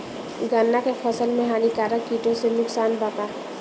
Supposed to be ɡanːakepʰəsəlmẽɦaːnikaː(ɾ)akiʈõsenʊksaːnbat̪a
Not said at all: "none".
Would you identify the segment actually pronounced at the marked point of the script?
ɾ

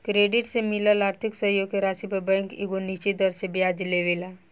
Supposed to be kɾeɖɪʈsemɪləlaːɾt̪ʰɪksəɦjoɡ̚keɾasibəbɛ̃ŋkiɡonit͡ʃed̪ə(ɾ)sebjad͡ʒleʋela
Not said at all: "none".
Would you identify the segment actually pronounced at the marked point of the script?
ɾ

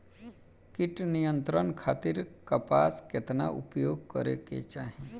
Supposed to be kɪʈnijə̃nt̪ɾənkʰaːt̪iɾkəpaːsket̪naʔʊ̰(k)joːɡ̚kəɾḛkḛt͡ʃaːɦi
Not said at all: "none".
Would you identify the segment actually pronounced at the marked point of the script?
p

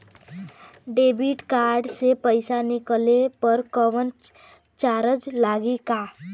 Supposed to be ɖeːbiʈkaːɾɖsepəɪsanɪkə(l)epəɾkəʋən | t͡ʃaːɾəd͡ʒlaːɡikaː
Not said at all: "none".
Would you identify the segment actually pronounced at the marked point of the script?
l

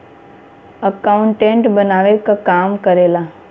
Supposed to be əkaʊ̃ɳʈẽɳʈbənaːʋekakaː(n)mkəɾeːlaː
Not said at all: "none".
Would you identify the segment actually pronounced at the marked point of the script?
none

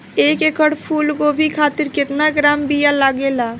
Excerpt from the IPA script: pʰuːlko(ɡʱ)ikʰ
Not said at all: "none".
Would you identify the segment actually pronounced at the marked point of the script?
bʱ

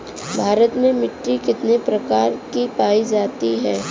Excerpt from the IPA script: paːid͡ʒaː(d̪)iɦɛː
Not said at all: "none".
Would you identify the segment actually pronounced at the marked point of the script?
t̪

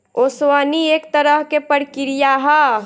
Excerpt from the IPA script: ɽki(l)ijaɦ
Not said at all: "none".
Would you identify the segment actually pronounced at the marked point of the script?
ɾ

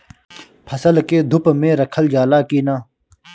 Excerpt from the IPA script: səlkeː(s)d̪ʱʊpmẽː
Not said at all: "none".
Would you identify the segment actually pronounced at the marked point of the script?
none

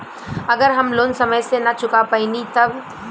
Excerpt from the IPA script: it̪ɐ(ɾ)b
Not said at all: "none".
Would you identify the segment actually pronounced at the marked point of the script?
none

